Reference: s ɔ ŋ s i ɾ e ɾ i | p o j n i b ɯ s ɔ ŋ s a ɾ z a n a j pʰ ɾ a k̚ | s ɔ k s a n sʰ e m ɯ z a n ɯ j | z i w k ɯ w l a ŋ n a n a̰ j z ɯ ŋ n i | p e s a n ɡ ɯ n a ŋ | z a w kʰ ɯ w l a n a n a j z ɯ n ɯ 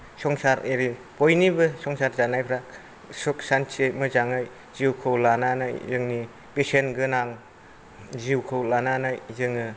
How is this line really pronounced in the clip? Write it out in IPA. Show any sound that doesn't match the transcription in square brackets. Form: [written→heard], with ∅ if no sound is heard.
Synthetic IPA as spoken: s ɔ ŋ s [i→a] ɾ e ɾ i | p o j n i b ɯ s ɔ ŋ s a ɾ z a n a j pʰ ɾ a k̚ | s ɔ k s a n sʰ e m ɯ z a [n→ŋ] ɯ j | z i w [k→kʰ] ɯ w l a [ŋ→∅] n a n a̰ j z ɯ ŋ n i | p e s [a→e] n ɡ ɯ n a ŋ | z [a→i] w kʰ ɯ w l a n a n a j z ɯ [n→ŋ] ɯ